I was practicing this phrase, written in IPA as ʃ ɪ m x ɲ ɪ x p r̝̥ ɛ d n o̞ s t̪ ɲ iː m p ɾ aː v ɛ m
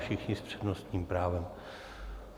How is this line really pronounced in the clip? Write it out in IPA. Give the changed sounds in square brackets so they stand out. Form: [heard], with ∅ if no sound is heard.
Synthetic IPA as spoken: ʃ ɪ [∅] x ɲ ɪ [s] p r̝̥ ɛ d n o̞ s t̪ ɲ iː m p ɾ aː v ɛ m